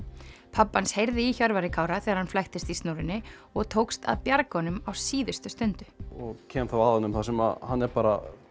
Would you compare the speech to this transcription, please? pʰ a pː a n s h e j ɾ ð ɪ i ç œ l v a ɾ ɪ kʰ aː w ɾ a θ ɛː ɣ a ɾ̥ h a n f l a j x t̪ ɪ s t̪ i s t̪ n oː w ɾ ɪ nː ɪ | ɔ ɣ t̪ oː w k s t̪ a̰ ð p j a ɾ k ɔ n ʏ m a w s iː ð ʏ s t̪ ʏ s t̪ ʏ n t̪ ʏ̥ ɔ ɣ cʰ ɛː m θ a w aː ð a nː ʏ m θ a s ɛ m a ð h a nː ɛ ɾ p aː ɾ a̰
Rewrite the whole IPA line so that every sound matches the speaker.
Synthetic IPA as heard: pʰ a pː a n s h e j ɾ ð ɪ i ç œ ɾ v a ɾ ɪ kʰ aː w ɾ a θ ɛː ɣ a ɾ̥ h a n f l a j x t̪ ɪ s t̪ i s t̪ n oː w ɾ ɪ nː ɪ | ɔ ɣ t̪ʰ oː w k s t̪ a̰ ð p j a ɾ k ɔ n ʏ m a w s iː ð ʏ s t̪ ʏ s t̪ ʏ n t̪ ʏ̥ ɔ ɣ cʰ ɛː m θ a w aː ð a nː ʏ m θ a s ɛ m a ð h a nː ɛ ɾ p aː ɾ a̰